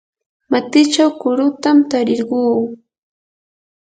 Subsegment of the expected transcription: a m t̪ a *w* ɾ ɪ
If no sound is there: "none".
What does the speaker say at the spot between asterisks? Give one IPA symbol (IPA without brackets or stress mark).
none